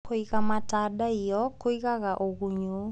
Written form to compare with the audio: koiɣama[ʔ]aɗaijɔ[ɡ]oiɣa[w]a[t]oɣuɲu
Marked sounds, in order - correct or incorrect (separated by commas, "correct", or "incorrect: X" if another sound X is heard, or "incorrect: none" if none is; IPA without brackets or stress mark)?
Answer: incorrect: t, incorrect: k, incorrect: ɣ, incorrect: ʔ